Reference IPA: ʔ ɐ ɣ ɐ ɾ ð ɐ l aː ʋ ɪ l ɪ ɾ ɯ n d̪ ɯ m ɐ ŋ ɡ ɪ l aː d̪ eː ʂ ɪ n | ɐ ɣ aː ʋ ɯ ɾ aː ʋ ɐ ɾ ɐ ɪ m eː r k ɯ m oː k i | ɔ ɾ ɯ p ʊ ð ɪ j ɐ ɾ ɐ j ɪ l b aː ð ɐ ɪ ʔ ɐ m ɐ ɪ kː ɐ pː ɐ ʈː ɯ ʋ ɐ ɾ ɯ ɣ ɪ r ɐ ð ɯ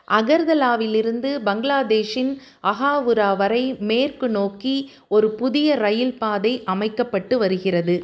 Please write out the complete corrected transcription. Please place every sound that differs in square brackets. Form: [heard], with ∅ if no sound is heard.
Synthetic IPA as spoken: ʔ ɐ ɣ ɐ ɾ ð ɐ l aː ʋ ɪ l ɪ ɾ ɯ n d̪ ɯ [b] ɐ ŋ ɡ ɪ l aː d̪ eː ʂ ɪ n | ɐ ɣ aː ʋ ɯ ɾ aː ʋ ɐ ɾ ɐ ɪ m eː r k ɯ [n] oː k i | ɔ ɾ ɯ p ʊ ð ɪ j ɐ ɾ ɐ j ɪ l [p] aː ð ɐ ɪ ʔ ɐ m ɐ ɪ kː ɐ pː ɐ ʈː ɯ ʋ ɐ ɾ ɯ ɣ ɪ r ɐ ð ɯ